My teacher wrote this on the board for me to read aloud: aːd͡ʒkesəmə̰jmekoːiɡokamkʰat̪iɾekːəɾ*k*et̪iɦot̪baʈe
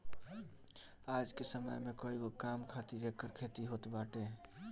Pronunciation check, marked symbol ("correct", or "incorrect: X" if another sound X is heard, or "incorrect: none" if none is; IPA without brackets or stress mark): incorrect: kʰ